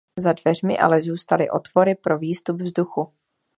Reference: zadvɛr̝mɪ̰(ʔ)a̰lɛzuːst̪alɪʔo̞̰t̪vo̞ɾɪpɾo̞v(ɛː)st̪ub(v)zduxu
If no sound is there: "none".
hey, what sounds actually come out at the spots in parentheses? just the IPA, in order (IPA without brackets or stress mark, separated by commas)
ʔ, iː, v